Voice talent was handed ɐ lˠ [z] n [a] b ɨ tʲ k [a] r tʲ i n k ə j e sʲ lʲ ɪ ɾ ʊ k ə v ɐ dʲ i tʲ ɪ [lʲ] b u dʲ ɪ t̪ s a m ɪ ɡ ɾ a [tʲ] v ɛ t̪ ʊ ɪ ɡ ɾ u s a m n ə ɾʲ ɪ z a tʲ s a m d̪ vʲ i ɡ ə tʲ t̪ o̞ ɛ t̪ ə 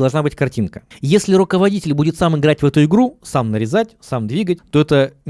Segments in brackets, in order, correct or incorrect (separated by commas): incorrect, correct, incorrect, correct, correct